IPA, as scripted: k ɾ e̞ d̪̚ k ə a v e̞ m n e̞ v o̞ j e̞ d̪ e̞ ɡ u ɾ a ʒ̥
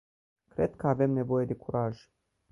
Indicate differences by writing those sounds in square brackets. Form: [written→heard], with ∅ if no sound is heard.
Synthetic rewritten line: k ɾ e̞ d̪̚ k ə a v e̞ m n e̞ v o̞ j e̞ d̪ e̞ [ɡ→k] u ɾ a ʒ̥